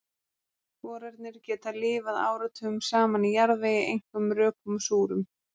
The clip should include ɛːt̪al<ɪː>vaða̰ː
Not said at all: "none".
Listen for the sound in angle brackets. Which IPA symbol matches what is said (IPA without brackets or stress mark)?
ɪː